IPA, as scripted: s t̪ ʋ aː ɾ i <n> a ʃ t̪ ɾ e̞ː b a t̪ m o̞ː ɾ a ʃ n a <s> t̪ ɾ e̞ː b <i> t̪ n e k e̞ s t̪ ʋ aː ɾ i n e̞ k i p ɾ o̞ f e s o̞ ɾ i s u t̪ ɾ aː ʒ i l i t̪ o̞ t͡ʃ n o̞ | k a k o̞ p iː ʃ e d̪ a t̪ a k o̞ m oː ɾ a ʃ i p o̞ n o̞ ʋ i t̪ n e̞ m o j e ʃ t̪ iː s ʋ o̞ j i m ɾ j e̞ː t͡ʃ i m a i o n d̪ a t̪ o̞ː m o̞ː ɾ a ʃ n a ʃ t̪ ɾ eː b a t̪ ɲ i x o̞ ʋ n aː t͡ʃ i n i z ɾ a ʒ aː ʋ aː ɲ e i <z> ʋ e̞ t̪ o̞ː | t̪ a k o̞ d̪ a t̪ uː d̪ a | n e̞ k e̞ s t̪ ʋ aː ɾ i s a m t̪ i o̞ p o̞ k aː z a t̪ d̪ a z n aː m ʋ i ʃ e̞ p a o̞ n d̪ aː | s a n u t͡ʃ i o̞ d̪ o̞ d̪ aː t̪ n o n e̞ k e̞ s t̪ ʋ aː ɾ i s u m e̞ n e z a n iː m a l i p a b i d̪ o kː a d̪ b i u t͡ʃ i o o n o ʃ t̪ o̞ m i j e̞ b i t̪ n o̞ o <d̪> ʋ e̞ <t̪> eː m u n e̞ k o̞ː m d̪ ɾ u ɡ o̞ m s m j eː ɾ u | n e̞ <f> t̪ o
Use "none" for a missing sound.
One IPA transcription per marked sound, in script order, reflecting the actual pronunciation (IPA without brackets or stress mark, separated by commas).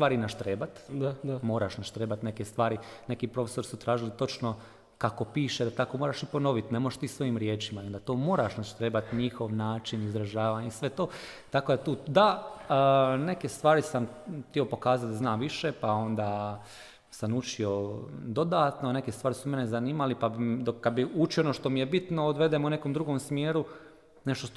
n, ʃ, a, s, d̪, d̪, ʃ